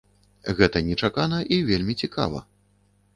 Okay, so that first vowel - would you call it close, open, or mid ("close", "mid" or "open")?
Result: mid